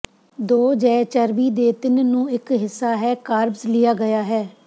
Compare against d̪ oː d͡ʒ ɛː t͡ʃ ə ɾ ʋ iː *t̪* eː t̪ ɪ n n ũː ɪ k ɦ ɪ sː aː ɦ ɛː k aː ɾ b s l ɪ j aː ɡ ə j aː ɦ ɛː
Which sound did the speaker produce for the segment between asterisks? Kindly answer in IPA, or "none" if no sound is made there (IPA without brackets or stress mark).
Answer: d̪